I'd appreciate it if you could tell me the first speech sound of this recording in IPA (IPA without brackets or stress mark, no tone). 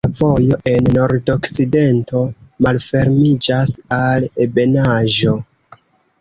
v